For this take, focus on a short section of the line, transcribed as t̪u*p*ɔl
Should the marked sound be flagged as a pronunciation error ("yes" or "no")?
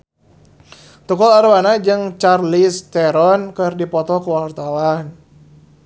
yes